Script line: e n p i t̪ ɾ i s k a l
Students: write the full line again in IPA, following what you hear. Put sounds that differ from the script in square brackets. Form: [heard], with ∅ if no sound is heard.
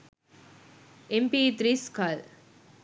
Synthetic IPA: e [m] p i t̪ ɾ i s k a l